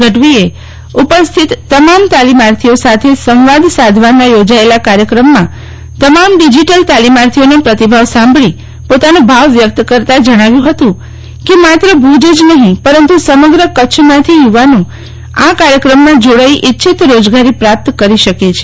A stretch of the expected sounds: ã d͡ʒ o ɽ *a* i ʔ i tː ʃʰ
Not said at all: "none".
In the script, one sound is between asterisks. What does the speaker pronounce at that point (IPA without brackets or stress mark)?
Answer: a